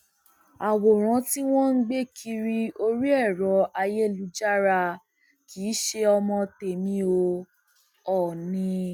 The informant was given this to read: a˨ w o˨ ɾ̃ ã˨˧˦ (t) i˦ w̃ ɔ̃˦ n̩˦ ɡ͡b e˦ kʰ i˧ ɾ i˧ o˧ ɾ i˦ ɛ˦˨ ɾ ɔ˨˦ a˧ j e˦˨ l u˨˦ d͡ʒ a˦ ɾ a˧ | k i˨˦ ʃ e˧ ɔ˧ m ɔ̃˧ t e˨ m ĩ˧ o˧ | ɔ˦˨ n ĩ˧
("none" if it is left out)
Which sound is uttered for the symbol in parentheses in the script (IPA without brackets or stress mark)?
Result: t